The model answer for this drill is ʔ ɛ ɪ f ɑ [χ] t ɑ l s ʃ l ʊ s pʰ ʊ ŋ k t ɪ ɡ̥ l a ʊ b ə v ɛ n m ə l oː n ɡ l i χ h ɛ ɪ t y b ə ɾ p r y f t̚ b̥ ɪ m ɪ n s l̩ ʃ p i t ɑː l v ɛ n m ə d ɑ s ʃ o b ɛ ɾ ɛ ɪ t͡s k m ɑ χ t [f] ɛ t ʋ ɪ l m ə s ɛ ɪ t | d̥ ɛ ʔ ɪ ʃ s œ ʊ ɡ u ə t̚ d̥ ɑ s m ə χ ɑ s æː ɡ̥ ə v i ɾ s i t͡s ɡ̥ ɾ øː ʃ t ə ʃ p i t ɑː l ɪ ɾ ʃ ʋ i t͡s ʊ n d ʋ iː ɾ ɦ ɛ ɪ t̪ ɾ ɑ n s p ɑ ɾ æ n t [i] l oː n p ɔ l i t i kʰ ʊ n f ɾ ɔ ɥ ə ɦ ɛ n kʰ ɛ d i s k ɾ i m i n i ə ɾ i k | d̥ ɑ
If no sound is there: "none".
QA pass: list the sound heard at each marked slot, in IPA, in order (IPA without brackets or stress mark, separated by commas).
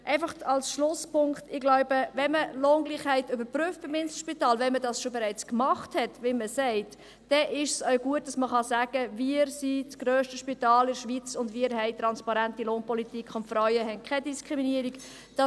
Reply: χ, h, i